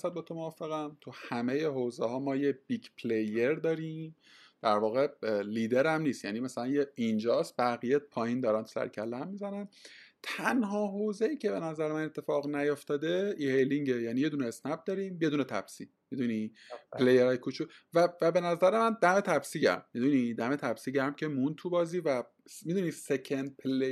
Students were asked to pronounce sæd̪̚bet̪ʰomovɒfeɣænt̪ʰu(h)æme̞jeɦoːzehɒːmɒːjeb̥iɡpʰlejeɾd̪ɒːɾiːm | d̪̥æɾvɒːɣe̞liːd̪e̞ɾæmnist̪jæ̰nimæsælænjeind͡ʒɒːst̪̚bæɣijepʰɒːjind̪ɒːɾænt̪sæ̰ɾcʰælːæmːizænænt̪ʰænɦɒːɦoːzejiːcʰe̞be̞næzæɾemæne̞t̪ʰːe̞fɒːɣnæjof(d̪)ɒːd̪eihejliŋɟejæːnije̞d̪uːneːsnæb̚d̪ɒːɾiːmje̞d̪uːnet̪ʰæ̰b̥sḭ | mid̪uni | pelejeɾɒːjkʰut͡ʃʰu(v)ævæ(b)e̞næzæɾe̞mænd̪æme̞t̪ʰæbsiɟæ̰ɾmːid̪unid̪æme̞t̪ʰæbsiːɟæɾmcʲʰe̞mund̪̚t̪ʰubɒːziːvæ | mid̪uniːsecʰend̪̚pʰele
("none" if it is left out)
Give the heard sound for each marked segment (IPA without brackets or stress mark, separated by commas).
h, t̪, v, b